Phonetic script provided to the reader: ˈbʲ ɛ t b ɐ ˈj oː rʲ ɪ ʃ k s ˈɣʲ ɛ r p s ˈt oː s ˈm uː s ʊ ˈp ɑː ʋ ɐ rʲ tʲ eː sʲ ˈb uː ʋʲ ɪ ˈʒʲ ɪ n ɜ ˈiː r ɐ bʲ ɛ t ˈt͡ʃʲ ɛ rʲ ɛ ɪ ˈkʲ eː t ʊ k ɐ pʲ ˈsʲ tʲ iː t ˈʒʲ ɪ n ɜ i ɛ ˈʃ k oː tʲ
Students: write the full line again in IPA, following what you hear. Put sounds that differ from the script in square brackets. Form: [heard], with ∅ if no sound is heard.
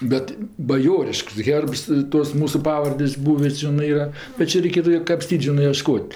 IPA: ˈbʲ ɛ t b ɐ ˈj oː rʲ ɪ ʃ k s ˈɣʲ ɛ r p s ˈt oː s ˈm uː s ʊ ˈp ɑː ʋ ɐ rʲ [dʲ] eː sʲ ˈb uː ʋʲ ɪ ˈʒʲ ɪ n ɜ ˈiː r ɐ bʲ ɛ t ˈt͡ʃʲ ɛ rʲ ɛ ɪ ˈkʲ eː t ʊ k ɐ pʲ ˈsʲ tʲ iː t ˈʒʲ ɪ n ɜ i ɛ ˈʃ k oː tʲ